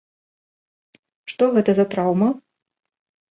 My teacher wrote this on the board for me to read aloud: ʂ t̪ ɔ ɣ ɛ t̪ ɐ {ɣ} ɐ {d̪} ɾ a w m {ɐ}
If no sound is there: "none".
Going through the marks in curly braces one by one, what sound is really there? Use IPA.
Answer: z, t̪, ɐ

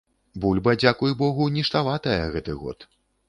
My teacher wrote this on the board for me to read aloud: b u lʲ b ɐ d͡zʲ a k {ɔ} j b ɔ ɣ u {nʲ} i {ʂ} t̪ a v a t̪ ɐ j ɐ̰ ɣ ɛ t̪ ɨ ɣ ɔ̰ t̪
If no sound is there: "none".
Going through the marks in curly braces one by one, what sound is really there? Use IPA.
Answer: u, nʲ, ʂ

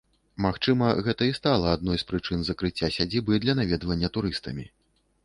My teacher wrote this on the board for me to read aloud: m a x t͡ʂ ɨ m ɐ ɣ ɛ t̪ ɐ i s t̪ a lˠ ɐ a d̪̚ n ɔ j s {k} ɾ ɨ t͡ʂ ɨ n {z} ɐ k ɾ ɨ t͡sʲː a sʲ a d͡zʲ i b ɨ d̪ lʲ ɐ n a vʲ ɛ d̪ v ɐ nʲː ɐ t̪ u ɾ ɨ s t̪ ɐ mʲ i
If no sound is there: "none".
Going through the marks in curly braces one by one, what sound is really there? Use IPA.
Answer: p, z

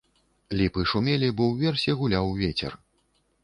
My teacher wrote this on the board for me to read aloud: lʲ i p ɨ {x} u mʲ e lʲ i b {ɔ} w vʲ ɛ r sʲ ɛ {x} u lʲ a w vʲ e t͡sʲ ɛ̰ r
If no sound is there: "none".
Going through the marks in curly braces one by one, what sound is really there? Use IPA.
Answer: ʂ, ɔ, ɣ

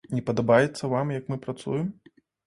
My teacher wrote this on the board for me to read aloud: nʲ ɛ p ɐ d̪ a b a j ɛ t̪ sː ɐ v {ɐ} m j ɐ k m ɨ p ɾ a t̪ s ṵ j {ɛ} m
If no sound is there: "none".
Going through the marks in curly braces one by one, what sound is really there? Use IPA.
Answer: a, ɛ

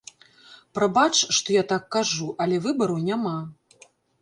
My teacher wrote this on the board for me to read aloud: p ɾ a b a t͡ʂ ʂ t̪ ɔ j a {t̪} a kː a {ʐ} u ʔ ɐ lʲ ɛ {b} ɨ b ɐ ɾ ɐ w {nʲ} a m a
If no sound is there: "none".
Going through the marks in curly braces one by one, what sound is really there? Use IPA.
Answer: t̪, ʐ, v, nʲ

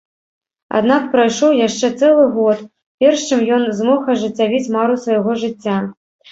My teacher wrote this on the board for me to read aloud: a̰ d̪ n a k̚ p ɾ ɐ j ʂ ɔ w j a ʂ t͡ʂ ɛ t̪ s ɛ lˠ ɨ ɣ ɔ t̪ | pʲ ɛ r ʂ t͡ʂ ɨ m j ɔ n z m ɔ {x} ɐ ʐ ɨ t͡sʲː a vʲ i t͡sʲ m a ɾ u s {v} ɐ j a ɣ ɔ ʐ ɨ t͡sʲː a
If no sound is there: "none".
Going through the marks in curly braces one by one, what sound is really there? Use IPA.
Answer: x, v

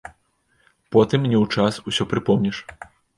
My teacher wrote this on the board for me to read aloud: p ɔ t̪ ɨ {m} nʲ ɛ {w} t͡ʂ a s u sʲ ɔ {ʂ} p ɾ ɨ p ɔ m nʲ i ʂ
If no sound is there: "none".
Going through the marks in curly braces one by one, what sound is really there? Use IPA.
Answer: m, w, none

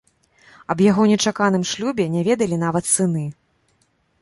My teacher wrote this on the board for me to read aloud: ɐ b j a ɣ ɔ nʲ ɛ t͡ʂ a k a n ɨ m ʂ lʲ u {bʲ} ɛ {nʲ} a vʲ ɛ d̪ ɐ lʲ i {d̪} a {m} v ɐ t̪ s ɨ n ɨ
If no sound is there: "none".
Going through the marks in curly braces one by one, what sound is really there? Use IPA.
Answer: bʲ, nʲ, n̪, none

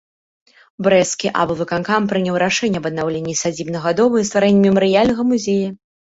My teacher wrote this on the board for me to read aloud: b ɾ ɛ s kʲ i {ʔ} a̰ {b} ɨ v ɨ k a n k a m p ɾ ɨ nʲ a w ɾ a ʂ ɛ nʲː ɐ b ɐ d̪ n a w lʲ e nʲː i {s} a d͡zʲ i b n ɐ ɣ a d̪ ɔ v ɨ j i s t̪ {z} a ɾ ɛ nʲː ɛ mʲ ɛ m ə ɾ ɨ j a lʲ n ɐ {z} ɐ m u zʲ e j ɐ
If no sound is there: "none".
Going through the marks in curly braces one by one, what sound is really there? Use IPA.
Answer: ʔ, b, s, v, ɣ

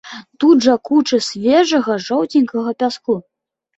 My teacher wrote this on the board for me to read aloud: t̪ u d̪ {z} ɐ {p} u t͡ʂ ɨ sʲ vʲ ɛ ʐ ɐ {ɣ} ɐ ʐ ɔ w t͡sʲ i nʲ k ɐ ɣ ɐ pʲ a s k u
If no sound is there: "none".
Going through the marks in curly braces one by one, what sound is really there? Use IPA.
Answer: ʐ, k, ɣ

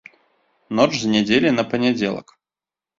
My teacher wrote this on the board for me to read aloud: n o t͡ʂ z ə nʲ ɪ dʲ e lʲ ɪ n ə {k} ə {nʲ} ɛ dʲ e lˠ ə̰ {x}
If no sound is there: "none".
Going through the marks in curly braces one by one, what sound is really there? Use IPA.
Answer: p, nʲ, k

